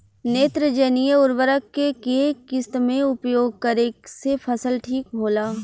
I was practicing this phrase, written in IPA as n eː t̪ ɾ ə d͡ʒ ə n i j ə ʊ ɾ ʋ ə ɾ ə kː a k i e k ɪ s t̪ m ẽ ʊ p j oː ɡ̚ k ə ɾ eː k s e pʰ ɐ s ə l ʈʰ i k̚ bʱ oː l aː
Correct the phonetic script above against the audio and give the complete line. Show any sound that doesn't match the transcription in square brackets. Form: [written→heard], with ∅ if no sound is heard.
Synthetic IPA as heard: n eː t̪ ɾ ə d͡ʒ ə n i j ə ʊ ɾ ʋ ə ɾ ə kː [a→e] k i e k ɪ s t̪ m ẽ ʊ p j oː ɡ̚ k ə ɾ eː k s e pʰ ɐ s ə l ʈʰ [i→iː] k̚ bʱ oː l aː